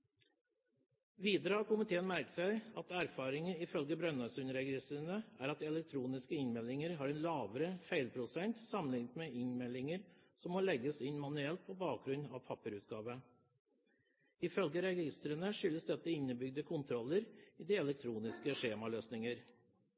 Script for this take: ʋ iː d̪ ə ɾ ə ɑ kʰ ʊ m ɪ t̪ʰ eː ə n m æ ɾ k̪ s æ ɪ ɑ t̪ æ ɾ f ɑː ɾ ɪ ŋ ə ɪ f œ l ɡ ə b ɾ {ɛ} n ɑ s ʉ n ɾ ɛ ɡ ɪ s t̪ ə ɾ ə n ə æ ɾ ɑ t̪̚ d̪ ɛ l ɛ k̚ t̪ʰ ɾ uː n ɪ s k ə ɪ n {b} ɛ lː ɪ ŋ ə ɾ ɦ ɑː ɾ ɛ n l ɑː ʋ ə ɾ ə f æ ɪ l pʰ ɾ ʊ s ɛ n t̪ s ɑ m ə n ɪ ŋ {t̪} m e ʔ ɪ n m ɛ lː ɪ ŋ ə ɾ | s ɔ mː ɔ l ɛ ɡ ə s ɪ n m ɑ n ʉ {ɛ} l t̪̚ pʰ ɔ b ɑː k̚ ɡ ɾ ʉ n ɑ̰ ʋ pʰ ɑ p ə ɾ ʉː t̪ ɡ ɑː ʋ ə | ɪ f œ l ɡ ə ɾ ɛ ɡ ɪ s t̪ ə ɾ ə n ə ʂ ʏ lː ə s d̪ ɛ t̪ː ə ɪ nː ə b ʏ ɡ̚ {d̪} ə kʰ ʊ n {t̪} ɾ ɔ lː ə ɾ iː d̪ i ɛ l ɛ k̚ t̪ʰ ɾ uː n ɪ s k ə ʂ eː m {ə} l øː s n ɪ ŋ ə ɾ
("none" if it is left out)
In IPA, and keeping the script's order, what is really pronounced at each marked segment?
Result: œ, m, t̪, ɛ, d̪, t̪ʰ, ɑ

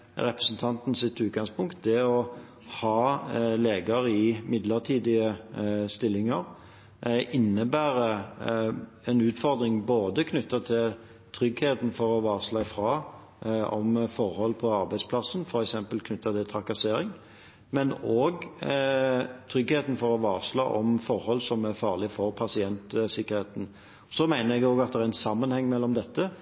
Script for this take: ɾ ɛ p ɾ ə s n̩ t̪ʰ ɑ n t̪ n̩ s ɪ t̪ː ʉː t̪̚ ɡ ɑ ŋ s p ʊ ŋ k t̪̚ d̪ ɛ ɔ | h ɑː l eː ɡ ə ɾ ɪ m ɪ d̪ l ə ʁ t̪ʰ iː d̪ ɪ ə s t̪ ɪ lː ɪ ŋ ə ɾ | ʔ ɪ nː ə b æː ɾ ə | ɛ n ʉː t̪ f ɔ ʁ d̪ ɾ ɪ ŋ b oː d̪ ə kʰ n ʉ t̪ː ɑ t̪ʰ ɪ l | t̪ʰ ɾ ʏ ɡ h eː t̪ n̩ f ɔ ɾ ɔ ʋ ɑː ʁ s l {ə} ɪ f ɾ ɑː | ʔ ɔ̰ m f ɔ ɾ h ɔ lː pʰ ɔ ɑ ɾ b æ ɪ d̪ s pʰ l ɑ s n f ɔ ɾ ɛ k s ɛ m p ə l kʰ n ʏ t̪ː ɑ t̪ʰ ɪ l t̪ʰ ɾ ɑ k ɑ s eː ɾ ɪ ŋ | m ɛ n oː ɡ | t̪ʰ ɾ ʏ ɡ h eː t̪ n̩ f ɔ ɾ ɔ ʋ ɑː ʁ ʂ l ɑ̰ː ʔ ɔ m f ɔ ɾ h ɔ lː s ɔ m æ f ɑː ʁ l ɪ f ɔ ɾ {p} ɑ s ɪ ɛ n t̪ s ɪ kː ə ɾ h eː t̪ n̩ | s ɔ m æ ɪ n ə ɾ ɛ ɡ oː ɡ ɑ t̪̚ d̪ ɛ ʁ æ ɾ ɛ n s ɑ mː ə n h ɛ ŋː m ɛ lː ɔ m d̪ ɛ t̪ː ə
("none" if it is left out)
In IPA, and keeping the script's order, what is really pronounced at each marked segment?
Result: ɑ, pʰ

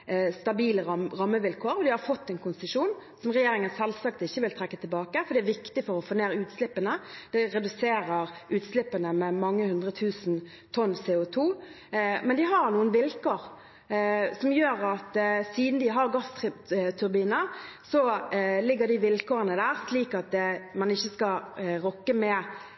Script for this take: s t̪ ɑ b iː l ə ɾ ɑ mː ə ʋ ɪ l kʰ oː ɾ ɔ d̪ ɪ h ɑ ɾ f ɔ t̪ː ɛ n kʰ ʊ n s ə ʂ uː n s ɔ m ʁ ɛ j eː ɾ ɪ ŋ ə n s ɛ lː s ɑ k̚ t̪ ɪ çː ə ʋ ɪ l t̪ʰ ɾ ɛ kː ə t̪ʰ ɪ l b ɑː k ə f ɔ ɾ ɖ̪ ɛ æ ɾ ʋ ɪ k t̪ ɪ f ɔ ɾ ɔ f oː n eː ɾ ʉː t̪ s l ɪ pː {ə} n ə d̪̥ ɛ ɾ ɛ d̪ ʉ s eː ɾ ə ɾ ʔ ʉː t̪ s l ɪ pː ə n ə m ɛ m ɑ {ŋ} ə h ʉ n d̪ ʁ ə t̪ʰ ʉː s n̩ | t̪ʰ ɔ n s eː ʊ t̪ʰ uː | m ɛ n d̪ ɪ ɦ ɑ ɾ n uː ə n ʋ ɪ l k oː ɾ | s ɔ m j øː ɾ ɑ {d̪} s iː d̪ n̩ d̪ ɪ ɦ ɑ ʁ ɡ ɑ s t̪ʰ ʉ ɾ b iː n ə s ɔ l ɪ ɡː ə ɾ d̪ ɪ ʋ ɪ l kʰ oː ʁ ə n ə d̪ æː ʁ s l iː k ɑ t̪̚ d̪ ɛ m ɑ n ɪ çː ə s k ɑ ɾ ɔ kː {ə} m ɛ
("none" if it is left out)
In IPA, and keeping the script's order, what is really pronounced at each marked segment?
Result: ə, ŋː, t̪, ə

